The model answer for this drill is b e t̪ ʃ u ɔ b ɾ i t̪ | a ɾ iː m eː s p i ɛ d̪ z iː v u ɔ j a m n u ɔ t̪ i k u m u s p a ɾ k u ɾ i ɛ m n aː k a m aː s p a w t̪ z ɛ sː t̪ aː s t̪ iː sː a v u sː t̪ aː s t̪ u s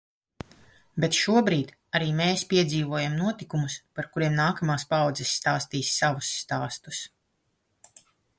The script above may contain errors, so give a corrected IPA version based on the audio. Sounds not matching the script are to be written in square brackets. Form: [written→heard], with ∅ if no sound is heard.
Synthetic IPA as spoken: b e t̪ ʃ u ɔ b ɾ [i→iː] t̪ | a ɾ iː m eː s p i ɛ d̪ z iː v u ɔ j a m n u ɔ t̪ i k u m u s p a ɾ k u ɾ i ɛ m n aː k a m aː s p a w [t̪→d̪] z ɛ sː t̪ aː s t̪ iː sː a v u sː t̪ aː s t̪ u s